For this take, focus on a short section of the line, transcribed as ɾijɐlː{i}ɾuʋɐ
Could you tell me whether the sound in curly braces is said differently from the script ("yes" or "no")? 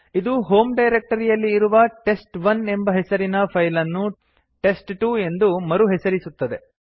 yes